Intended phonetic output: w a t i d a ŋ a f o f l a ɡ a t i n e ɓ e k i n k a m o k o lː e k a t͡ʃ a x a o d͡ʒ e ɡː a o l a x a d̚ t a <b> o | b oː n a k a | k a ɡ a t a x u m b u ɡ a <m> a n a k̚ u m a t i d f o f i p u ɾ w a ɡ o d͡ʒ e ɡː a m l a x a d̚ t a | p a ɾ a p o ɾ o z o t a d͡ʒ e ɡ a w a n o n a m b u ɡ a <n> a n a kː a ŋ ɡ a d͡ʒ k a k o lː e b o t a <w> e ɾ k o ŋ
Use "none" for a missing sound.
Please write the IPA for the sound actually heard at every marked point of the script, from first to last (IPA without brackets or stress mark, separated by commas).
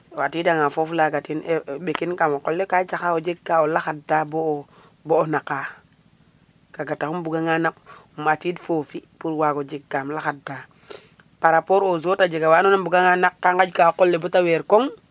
b, ŋ, ŋ, w